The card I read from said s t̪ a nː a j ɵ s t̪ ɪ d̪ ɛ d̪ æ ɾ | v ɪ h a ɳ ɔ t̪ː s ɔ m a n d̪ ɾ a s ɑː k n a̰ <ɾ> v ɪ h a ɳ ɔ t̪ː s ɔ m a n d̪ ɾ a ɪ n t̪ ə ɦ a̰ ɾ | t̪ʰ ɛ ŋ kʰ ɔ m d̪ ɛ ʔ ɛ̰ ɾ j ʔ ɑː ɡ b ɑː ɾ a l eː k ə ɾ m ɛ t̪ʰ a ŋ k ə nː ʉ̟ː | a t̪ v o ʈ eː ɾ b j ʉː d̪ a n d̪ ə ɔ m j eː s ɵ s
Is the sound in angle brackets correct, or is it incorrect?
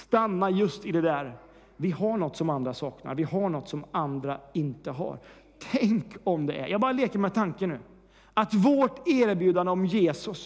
correct